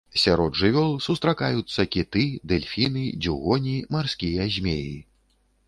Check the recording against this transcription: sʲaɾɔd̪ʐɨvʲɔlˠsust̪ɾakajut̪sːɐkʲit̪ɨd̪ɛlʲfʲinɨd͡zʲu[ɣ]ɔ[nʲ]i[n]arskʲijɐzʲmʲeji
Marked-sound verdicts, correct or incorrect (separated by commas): correct, correct, incorrect